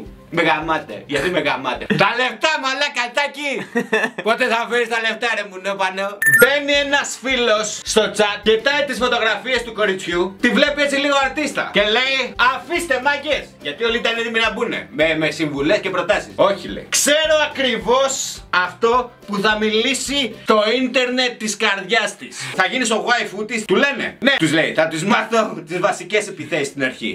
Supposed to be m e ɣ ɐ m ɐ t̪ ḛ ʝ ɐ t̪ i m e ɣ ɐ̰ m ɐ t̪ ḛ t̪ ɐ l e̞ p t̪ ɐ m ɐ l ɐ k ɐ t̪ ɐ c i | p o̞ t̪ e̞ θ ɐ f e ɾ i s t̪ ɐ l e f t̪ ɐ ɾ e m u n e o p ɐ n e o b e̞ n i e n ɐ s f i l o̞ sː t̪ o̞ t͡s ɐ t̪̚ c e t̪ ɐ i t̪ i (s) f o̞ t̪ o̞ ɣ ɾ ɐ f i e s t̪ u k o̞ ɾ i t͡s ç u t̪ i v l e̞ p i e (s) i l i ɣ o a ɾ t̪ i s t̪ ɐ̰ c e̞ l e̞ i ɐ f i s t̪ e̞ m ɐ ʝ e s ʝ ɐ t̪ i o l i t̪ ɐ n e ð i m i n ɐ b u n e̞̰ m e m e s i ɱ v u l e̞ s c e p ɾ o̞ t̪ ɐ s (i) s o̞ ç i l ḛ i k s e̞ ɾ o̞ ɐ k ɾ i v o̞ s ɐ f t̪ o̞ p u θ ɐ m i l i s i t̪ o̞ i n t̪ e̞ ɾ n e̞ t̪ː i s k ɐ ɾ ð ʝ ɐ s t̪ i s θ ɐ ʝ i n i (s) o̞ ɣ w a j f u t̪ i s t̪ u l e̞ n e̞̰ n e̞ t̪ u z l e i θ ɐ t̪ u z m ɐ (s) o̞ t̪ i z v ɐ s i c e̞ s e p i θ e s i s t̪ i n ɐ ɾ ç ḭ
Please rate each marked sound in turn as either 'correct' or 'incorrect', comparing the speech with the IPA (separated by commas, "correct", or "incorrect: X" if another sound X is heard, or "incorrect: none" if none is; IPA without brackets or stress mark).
correct, incorrect: t͡s, correct, correct, incorrect: θ